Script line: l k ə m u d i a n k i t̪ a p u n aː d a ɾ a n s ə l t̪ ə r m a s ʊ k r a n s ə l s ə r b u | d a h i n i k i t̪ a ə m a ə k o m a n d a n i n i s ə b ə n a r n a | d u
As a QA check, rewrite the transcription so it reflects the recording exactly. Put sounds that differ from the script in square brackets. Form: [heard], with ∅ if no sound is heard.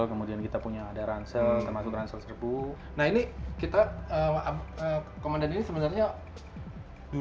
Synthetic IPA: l k ə m u d i a n k i t̪ a p u [ɲ] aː d a ɾ a n s ə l t̪ ə r m a s ʊ k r a n s ə l s ə r b u | [n] a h i n i k i t̪ a ə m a ə k o m a n d a n i n i s ə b ə n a r [ɲ] a | d u